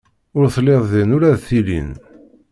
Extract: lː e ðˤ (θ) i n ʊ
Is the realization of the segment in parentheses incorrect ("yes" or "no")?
yes